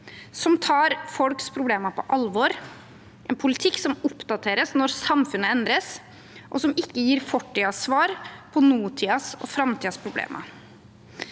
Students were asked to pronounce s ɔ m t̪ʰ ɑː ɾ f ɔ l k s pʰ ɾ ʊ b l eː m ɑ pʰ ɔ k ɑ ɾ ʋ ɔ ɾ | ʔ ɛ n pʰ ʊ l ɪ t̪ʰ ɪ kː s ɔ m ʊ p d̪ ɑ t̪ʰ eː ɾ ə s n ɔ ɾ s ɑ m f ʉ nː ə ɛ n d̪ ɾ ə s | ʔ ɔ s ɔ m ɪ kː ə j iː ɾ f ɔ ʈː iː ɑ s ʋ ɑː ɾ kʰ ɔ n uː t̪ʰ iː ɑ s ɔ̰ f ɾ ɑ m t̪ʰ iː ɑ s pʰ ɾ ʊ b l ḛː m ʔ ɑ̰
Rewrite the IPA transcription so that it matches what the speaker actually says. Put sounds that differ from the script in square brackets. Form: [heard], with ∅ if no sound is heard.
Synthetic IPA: s ɔ m t̪ʰ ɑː ɾ f ɔ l k s pʰ ɾ ʊ b l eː m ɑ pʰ ɔ [ʔ] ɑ [l] ʋ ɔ ɾ | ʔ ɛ n pʰ ʊ l ɪ t̪ʰ ɪ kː s ɔ m ʊ p d̪ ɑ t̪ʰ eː ɾ ə s n ɔ ɾ s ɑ m f ʉ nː ə ɛ n d̪ ɾ ə s | ʔ ɔ s ɔ m ɪ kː ə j iː ɾ f ɔ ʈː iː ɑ s ʋ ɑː ɾ [pʰ] ɔ n uː t̪ʰ iː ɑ s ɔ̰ f ɾ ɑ m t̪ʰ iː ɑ s pʰ ɾ ʊ b l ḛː m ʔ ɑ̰